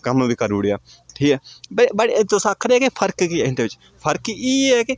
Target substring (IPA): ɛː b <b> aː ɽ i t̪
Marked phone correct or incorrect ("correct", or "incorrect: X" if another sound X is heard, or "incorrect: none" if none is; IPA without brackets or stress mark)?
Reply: correct